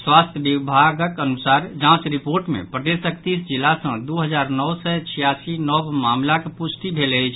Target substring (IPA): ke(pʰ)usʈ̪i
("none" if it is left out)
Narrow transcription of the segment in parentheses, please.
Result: p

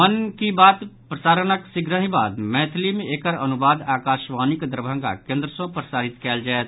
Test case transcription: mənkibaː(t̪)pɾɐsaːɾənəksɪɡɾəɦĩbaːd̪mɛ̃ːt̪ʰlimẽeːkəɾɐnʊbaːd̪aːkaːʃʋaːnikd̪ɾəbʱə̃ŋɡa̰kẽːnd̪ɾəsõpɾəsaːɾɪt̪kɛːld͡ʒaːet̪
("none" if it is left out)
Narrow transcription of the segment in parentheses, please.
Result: t̪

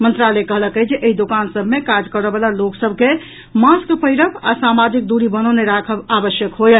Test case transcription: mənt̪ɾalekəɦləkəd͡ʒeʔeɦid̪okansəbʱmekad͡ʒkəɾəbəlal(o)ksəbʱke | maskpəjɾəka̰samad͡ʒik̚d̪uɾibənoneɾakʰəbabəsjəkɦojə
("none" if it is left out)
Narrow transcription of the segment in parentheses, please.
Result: o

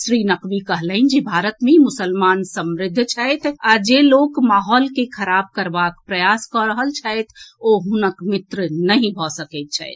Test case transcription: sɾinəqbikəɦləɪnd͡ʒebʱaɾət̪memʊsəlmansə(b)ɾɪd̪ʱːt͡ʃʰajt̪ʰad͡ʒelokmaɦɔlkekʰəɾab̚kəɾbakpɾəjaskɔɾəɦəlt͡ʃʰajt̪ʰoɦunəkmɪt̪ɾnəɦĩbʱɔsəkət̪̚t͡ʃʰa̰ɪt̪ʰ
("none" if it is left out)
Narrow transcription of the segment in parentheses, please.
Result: m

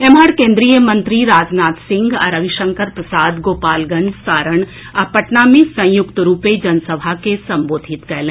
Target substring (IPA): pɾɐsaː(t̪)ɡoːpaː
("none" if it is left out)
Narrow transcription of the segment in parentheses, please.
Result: d̪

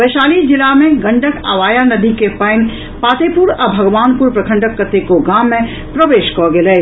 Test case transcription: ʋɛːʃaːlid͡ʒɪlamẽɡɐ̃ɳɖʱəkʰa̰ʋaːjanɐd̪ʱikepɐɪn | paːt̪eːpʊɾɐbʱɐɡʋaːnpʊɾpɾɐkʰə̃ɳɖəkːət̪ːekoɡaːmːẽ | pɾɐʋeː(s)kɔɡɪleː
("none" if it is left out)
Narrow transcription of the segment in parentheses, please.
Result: ʃ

